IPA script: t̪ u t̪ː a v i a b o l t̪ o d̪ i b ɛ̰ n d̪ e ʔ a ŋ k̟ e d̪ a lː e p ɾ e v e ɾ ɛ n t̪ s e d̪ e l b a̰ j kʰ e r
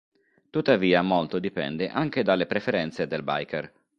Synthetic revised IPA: t̪ u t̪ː a v iː a m o l t̪ o d̪ i p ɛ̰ n d̪ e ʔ a ŋ k̟ e d̪ a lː e p ɾ e f e ɾ ɛ n t̪ s e d̪ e l b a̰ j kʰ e r